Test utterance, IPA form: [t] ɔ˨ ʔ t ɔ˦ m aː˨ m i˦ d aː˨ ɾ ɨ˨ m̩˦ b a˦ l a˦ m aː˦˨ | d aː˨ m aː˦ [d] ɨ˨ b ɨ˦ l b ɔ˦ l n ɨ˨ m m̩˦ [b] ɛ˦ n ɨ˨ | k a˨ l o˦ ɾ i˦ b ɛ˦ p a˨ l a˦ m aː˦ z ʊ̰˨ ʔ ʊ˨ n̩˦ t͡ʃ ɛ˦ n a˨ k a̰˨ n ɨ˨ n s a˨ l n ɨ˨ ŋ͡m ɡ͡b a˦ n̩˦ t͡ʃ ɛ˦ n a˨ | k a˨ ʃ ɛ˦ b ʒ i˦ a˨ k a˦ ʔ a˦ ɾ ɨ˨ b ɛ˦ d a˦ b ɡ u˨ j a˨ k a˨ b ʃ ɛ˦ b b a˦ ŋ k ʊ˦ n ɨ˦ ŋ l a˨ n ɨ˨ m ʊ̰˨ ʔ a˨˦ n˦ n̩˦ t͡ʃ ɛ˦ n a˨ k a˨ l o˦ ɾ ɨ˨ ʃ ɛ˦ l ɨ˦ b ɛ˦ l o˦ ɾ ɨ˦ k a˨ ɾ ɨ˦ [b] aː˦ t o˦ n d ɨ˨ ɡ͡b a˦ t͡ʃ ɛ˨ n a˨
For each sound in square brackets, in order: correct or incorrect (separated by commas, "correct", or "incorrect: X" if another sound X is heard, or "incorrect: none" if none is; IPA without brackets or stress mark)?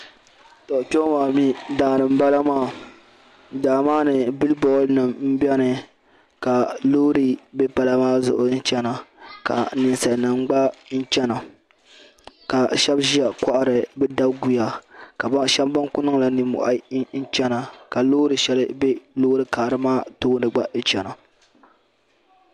correct, incorrect: n, correct, incorrect: m